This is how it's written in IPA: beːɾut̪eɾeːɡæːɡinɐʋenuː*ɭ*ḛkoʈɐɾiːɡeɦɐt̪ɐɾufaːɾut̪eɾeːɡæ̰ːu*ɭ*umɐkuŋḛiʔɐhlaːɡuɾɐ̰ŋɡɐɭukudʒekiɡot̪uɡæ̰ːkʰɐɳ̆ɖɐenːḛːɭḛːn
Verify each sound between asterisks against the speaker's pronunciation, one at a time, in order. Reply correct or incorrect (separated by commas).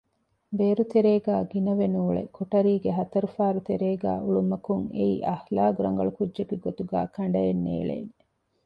correct, correct